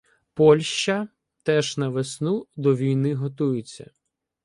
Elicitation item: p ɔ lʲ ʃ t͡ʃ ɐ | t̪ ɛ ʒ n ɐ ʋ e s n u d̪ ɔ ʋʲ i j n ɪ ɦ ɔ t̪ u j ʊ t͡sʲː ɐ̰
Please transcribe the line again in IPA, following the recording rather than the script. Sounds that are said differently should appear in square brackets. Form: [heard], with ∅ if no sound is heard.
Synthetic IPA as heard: p ɔ lʲ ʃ t͡ʃ ɐ | t̪ ɛ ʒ n ɐ ʋ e s n u d̪ ɔ ʋʲ i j n ɪ ɦ ɔ t̪ u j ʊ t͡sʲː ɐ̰